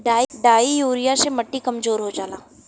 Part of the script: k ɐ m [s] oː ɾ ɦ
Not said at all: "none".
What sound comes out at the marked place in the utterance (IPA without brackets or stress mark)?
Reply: z